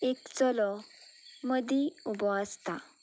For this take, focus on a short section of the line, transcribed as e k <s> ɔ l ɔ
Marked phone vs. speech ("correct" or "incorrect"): incorrect